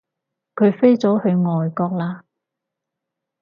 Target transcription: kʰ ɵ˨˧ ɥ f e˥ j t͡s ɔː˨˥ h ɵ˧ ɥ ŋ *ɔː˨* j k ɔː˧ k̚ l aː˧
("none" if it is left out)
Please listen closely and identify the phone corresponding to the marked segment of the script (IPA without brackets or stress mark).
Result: ɔː˨